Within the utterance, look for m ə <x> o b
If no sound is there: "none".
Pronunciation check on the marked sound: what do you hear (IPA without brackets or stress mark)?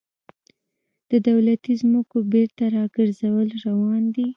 k